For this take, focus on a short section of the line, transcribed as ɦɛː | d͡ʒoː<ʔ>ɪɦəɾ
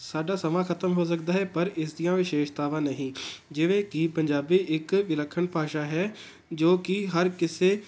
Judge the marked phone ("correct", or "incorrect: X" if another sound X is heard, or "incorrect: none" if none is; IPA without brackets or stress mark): incorrect: k